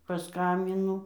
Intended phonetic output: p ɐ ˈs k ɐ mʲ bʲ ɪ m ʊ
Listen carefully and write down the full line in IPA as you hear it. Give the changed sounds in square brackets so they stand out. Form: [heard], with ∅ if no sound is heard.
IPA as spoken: p ɐ ˈs k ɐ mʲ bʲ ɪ [n] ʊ